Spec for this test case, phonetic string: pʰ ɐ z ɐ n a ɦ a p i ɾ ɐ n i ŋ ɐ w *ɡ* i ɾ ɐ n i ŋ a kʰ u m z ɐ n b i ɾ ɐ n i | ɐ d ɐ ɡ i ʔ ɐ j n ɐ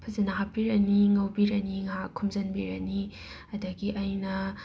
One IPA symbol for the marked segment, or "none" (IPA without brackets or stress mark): b